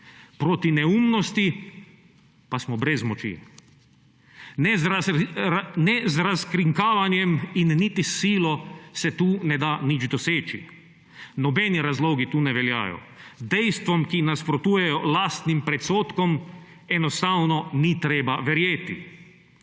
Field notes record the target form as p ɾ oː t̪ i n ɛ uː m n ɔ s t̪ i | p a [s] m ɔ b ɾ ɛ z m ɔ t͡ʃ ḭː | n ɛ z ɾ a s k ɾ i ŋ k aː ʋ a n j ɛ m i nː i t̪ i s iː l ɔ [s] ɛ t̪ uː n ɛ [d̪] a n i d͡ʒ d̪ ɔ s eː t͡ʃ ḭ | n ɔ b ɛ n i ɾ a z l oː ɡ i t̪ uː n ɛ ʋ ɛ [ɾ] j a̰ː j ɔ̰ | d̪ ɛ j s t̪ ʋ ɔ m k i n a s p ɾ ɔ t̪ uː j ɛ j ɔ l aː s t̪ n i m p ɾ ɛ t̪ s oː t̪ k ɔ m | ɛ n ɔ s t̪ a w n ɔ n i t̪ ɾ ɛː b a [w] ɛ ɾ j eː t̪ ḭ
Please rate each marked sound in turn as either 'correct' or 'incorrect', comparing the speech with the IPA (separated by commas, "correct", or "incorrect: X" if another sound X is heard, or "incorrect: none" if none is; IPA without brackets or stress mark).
correct, correct, correct, incorrect: l, incorrect: ʋ